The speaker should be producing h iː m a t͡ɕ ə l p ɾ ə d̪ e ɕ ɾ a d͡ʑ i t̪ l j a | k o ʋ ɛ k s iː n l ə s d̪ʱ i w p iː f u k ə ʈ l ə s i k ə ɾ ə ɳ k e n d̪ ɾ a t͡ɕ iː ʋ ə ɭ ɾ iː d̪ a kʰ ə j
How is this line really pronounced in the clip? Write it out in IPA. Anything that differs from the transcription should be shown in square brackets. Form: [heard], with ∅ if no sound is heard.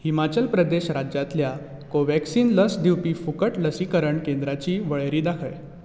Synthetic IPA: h [i] m a t͡ɕ ə l p ɾ ə d̪ e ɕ ɾ a d͡ʑ [a] t̪ l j a | k o ʋ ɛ k s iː n l ə s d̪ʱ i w p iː f u k ə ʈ l ə s i k ə ɾ ə ɳ k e n d̪ ɾ a t͡ɕ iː ʋ ə ɭ ɾ iː d̪ a kʰ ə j